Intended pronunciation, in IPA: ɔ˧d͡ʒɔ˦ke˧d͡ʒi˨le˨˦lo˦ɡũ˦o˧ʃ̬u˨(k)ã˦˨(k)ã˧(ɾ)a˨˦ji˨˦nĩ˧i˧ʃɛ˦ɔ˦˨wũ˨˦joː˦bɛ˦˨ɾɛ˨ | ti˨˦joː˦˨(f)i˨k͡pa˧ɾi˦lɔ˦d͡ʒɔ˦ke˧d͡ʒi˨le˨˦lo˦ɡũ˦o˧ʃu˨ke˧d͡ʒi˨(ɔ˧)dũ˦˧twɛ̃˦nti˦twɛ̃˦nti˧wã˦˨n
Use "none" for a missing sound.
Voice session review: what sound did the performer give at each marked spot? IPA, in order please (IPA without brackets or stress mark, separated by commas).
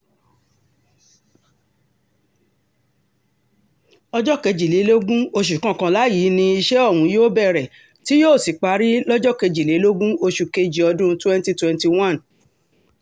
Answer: k, k, l, s, ɔ˧